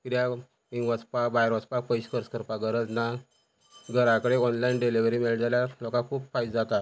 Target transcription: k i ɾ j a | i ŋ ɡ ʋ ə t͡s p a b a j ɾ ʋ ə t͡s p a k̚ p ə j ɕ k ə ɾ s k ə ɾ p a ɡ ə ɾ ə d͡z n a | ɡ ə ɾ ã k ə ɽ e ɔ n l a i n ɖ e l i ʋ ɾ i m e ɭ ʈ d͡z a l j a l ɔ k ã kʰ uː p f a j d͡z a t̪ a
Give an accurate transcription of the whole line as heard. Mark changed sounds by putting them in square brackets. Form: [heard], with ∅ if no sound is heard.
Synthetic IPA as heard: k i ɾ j a | i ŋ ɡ ʋ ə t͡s p a b a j ɾ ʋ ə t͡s p a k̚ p ə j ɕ k ə ɾ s k ə ɾ p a ɡ ə ɾ ə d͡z n a | ɡ ə ɾ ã k ə ɽ e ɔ n l a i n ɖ e l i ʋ ɾ i m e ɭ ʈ d͡z a l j a l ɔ k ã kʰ uː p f a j d͡z a t̪ a